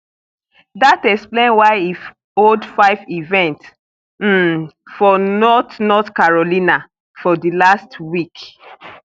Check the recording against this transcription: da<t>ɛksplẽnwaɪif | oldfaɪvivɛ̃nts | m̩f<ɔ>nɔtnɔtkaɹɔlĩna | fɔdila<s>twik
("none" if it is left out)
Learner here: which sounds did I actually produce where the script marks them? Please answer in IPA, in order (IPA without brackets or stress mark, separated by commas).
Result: t, ɔ, s